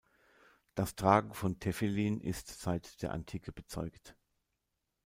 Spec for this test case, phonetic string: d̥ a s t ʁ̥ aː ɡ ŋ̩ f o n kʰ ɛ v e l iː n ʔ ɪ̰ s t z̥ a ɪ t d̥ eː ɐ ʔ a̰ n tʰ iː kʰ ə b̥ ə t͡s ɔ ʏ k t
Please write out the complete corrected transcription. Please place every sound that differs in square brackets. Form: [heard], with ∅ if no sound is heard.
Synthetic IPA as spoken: d̥ a s t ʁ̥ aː ɡ ŋ̩ f [ɔ] n [tʰ] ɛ [f] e l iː n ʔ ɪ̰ s t z̥ a ɪ t d̥ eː ɐ ʔ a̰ n tʰ iː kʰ ə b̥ ə t͡s ɔ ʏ k t